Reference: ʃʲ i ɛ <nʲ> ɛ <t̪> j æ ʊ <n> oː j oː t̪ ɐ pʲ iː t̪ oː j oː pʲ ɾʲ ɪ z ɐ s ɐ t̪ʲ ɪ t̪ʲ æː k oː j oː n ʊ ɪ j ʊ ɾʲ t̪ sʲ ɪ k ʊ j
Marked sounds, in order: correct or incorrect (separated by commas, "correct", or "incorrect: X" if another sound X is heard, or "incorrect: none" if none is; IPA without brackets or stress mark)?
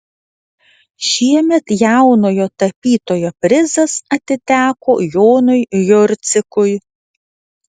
incorrect: mʲ, correct, correct